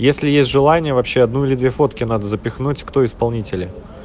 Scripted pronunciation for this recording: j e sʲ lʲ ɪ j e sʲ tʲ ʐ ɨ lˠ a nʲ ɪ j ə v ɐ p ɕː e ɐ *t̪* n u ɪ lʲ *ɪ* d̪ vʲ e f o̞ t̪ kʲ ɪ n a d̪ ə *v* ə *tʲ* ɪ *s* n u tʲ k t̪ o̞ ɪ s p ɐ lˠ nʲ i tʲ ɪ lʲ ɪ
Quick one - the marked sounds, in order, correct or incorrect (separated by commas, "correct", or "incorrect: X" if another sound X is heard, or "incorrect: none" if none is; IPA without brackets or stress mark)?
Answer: incorrect: d̪, correct, incorrect: z, incorrect: pʲ, incorrect: x